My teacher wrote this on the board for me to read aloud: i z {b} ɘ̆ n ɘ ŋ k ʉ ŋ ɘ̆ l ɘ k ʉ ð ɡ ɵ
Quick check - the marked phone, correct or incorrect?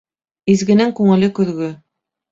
incorrect